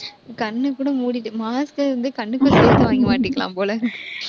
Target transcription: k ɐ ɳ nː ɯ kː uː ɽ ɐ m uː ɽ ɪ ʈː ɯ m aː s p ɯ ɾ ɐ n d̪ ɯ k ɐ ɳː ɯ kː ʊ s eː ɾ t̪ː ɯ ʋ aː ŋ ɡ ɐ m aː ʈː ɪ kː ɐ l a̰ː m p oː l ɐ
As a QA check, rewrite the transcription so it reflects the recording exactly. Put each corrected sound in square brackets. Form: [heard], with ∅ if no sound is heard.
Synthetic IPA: k ɐ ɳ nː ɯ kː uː ɽ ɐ m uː ɽ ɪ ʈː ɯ m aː s [k] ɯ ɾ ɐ n d̪ ɯ k ɐ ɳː ɯ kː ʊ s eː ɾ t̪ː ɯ ʋ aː ŋ ɡ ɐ m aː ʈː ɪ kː ɐ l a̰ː m p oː l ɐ